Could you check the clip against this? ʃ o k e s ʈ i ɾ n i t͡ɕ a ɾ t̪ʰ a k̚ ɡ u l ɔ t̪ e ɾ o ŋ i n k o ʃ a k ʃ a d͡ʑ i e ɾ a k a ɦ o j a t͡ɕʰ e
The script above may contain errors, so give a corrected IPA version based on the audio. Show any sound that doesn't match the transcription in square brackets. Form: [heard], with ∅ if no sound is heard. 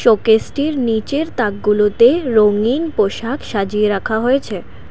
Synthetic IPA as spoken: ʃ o k e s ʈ i ɾ n i t͡ɕ [e] ɾ [t̪] a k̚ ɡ u l [o] t̪ e ɾ o ŋ i n [p] o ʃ a k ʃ a d͡ʑ i e ɾ a [kʰ] a ɦ o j [e] t͡ɕʰ e